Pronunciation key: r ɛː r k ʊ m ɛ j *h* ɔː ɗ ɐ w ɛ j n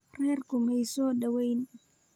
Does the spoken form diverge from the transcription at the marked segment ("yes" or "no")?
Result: yes